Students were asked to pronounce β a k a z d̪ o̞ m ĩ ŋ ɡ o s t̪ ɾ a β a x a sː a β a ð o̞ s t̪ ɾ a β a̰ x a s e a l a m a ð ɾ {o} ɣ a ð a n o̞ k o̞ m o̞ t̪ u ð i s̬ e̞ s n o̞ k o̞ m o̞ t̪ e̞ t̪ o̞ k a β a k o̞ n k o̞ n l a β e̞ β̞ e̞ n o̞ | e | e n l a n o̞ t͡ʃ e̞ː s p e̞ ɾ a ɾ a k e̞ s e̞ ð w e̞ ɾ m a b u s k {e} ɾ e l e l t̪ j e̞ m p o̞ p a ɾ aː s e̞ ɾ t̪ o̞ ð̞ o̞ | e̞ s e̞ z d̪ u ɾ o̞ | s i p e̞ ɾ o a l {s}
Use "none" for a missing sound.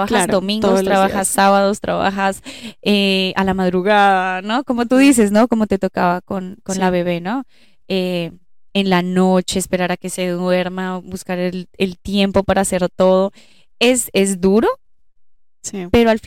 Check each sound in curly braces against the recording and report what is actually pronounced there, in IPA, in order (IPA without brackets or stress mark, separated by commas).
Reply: u, a, f